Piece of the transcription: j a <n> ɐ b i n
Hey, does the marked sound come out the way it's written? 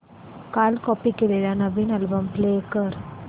yes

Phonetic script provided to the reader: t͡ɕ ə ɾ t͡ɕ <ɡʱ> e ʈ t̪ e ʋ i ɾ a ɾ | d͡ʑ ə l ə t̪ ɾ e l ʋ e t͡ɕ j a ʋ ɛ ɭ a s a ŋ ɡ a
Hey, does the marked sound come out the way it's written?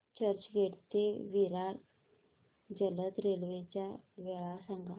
yes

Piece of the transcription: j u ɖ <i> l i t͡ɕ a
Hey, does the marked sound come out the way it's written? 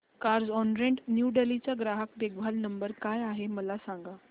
no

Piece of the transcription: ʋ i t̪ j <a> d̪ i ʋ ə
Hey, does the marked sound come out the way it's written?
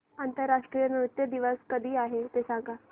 no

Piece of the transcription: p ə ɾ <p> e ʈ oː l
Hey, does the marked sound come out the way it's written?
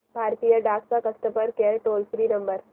no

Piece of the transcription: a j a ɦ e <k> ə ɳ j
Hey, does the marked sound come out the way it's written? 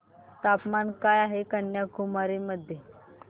yes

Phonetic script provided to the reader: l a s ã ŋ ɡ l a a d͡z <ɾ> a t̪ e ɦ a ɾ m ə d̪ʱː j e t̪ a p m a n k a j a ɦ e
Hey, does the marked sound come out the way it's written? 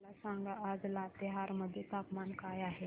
no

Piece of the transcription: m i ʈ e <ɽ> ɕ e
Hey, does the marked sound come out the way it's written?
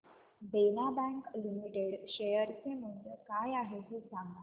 yes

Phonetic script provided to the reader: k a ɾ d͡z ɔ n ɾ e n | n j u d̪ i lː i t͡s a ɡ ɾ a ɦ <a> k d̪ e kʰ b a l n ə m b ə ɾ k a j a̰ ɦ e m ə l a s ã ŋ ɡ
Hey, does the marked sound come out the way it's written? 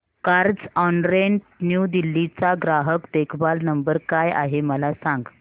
no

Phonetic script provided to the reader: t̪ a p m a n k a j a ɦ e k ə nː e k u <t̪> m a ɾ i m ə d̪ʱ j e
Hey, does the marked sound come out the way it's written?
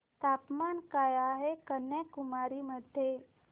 no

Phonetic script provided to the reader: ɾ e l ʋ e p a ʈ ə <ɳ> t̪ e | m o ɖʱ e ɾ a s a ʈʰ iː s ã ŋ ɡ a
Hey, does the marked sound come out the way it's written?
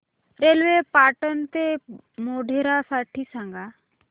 no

